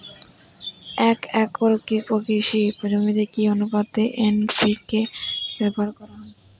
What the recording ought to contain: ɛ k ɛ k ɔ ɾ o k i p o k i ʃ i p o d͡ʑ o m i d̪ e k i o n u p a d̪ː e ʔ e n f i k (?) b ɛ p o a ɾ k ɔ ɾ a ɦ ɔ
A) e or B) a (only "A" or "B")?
A